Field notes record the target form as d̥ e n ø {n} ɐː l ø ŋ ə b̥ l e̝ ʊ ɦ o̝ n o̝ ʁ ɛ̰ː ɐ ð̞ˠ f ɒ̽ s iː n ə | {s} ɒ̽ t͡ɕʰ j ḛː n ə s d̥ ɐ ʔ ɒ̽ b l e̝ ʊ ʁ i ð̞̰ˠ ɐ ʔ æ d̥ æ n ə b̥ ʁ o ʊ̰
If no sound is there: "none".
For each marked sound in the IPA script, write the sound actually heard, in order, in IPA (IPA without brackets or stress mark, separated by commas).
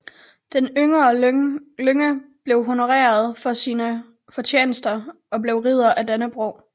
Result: ŋ, f